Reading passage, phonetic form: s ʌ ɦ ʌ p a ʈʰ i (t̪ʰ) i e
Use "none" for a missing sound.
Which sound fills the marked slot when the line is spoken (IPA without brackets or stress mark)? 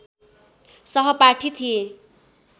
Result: t̪ʰ